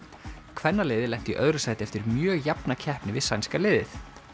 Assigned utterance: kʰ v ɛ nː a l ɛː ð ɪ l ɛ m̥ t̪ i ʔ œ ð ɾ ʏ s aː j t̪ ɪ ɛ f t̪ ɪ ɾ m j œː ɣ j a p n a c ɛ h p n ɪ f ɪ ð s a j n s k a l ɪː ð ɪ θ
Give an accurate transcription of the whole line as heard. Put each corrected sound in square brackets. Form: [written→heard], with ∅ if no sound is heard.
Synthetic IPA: kʰ v ɛ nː a l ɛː ð ɪ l ɛ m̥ t̪ i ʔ œ ð ɾ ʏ s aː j t̪ ɪ ɛ f t̪ ɪ ɾ m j œː ɣ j a p n a [c→cʰ] ɛ h p n ɪ [f→v] ɪ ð s a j n s k a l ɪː ð ɪ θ